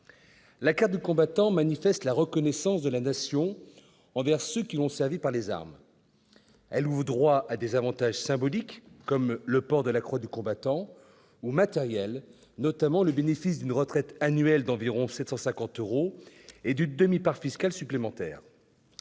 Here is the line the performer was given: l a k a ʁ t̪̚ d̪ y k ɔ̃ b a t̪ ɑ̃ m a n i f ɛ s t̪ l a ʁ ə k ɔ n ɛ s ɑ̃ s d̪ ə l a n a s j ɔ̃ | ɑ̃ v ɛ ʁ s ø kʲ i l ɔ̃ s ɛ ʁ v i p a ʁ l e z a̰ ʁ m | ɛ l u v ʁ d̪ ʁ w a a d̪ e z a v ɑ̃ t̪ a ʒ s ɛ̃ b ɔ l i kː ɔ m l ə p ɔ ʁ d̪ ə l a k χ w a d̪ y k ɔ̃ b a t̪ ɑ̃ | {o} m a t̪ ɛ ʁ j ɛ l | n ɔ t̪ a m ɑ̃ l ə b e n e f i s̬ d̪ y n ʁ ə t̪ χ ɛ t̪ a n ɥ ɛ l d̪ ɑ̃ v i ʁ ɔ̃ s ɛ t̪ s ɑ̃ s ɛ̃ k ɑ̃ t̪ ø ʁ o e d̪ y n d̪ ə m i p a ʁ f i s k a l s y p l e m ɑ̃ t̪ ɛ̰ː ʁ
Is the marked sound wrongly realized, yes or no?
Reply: yes